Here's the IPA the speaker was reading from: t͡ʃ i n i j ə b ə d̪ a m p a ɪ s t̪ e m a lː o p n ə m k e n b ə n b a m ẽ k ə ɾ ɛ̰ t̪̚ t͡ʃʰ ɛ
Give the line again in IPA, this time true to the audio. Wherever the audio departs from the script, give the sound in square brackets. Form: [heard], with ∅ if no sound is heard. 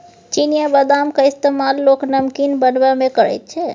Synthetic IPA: t͡ʃ i n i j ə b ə d̪ a m [k] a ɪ s t̪ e m a lː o [k] n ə m k [i] n b ə n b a m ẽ k ə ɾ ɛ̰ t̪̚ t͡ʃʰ ɛ